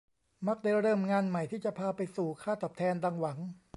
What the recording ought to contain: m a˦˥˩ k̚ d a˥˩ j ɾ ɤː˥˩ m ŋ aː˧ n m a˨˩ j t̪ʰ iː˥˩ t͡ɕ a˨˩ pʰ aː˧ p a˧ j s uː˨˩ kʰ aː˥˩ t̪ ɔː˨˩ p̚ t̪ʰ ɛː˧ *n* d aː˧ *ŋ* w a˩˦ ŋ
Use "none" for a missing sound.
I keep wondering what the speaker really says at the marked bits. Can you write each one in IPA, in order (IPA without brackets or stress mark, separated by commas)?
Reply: n, ŋ